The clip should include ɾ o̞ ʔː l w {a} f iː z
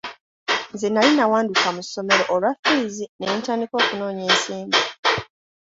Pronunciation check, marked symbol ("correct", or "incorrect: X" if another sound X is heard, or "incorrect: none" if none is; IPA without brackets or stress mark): correct